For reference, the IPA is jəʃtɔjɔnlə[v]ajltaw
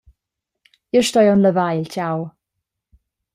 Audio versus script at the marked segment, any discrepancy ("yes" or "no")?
no